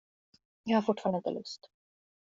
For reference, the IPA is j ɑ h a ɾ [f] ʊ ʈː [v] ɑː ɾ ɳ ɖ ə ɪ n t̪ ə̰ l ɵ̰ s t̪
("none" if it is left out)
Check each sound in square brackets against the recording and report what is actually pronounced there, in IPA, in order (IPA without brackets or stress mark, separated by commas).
f, f